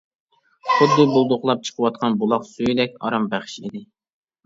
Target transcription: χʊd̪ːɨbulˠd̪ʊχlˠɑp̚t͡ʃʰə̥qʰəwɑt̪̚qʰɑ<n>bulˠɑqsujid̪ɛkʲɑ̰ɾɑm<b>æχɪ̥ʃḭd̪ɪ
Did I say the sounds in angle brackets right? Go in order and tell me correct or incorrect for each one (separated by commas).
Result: correct, correct